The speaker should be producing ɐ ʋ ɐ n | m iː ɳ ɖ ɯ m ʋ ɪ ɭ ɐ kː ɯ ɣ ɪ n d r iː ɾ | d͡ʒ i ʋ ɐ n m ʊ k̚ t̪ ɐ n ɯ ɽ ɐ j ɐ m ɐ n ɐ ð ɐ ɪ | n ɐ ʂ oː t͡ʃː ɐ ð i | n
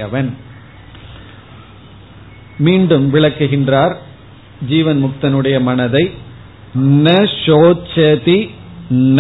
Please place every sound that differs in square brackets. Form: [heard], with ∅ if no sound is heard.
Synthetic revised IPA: ɐ ʋ ɐ n | m iː ɳ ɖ ɯ m ʋ ɪ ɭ ɐ kː ɯ ɣ ɪ n d r [aː] ɾ | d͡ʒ [iː] ʋ ɐ n m ʊ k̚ t̪ ɐ n ɯ ɽ ɐ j ɐ m ɐ n ɐ ð ɐ ɪ | n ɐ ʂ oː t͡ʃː ɐ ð i | n